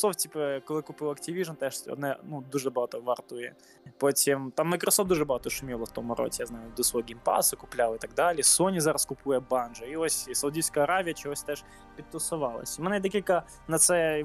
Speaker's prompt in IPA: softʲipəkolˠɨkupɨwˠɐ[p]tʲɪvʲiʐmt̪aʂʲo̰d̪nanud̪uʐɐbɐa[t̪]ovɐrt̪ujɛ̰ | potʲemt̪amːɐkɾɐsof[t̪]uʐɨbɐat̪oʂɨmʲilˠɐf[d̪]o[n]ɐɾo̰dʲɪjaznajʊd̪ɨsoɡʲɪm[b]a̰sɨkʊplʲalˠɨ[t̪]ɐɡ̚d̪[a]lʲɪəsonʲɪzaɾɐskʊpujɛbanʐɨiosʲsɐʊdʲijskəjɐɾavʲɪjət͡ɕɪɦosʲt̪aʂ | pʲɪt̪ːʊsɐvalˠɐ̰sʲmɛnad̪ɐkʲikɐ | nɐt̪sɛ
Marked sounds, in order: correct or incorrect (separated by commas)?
incorrect, correct, incorrect, incorrect, incorrect, incorrect, correct, correct